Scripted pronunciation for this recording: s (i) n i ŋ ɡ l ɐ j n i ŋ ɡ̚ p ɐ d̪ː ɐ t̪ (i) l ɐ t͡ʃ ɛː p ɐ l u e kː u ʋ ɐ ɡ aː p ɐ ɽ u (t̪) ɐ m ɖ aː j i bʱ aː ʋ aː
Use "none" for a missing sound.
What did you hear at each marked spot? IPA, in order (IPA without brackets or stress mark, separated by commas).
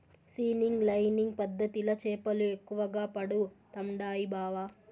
iː, i, t̪